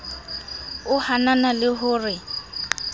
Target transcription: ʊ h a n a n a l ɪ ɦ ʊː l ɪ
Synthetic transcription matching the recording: ʊ h a n a n a l ɪ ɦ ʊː r ɪ